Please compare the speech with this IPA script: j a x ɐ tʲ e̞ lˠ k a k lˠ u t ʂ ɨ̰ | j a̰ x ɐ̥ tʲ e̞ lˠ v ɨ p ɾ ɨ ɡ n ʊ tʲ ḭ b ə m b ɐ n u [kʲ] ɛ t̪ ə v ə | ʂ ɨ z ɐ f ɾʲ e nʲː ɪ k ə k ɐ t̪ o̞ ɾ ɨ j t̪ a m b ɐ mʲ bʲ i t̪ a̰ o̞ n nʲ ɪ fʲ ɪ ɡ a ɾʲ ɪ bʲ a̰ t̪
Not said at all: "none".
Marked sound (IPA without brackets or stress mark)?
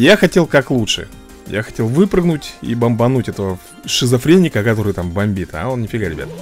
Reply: tʲ